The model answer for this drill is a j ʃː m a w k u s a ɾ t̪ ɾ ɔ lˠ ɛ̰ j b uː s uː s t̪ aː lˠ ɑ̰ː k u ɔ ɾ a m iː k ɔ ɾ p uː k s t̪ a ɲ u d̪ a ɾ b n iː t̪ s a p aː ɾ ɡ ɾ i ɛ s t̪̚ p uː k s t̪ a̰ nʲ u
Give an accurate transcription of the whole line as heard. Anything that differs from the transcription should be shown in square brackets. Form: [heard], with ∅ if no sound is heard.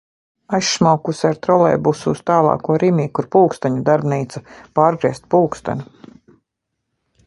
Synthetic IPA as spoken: a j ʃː m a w k u s a ɾ t̪ ɾ ɔ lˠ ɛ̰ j b [u] s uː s t̪ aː lˠ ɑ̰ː k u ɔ ɾ [i] m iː k [u] ɾ p uː k s t̪ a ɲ u d̪ a ɾ b n iː t̪ s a p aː ɾ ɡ ɾ i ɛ s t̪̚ p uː k s t̪ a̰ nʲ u